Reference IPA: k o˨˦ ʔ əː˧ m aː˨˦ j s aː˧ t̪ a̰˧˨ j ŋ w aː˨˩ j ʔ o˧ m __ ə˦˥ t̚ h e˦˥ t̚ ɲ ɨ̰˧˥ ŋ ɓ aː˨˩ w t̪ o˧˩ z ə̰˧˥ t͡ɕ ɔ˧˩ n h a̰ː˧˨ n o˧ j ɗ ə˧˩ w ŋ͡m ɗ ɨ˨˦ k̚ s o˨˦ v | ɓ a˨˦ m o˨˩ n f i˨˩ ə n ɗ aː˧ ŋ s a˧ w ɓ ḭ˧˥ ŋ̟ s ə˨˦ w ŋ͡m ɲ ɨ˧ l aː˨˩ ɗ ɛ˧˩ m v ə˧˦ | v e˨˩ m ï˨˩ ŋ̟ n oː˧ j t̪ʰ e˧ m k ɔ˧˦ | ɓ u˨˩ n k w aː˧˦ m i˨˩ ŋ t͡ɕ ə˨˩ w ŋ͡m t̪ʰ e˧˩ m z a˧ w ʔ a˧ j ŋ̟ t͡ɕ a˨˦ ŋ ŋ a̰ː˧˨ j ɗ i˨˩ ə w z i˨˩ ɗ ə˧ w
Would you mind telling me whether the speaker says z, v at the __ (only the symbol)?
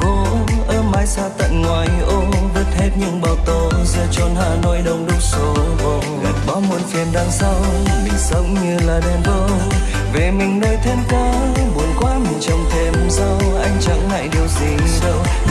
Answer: v